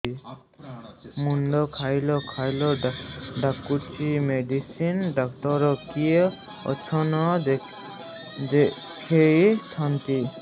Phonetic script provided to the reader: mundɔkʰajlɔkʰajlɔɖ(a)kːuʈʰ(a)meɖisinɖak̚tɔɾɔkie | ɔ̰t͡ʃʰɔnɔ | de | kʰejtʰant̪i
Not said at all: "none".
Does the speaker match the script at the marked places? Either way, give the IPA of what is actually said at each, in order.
a, i

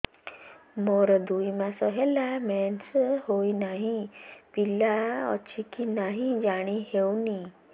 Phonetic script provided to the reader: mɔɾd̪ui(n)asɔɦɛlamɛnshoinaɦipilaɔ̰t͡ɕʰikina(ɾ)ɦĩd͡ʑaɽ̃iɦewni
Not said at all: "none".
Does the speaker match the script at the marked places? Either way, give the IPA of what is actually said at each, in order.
m, none

